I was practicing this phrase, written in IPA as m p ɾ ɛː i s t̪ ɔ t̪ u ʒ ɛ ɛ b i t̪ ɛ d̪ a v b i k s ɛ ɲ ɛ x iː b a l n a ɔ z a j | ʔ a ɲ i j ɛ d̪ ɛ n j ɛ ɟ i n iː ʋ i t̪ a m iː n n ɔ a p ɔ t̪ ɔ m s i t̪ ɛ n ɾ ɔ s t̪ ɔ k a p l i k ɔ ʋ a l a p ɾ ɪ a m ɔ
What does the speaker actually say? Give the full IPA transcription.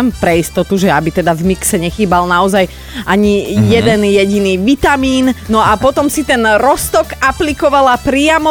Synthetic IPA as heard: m p ɾ ɛ i s t̪ ɔ t̪ u ʒ ɛ a b i t̪ ɛ d̪ a v m i k s ɛ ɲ ɛ x iː b a l n a ɔ z a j | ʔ a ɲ i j ɛ d̪ ɛ n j ɛ ɟ i n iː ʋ i t̪ a m iː n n ɔ a p ɔ t̪ ɔ m s i t̪ ɛ n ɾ ɔ s t̪ ɔ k a p l i k ɔ ʋ a l a p ɾ ɪ a m ɔ